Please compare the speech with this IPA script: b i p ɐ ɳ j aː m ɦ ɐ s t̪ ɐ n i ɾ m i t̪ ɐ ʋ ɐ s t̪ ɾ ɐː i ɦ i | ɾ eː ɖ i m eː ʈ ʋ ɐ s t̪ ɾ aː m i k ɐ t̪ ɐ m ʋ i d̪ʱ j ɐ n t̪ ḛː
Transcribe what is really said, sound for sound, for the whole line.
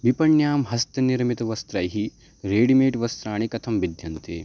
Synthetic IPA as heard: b i p ɐ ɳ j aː m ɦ ɐ s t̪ ɐ n i ɾ m i t̪ ɐ ʋ ɐ s t̪ ɾ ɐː j ɦ i | ɾ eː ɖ i m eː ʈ ʋ ɐ s t̪ ɾ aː ɳ i k ɐ t̪ʰ ɐ m ʋ i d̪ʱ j ɐ n t̪ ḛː